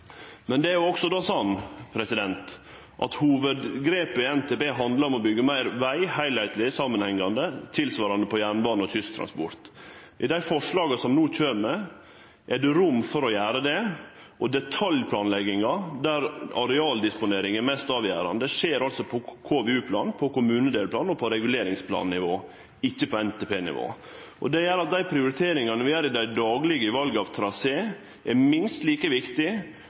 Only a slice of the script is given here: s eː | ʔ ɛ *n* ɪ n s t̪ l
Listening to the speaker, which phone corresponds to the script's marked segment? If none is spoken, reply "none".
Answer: m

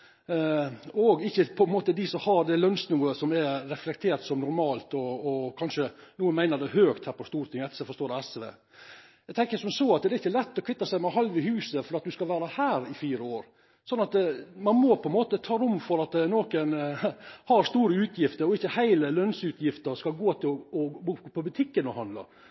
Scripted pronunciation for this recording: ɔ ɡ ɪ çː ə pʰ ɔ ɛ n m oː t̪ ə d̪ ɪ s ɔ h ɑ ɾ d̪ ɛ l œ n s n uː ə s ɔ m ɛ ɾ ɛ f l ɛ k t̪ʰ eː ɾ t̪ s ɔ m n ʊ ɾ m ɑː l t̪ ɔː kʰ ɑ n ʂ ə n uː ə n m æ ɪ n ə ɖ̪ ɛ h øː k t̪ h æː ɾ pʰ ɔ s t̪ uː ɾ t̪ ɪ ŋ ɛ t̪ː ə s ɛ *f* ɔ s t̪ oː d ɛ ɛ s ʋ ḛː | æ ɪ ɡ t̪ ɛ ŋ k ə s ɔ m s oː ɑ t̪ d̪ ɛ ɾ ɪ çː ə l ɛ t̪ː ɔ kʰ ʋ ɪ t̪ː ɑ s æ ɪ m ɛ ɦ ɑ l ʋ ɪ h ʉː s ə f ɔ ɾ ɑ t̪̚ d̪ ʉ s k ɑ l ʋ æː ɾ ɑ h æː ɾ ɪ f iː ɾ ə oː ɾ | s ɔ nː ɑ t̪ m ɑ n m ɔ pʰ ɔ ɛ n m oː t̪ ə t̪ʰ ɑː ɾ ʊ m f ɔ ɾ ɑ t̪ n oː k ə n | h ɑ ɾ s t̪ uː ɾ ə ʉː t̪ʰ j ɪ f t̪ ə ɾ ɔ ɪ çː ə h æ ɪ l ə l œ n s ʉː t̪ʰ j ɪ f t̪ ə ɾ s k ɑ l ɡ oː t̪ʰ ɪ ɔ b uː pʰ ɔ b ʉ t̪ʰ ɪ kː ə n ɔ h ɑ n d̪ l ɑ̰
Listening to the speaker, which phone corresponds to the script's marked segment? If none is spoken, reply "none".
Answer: f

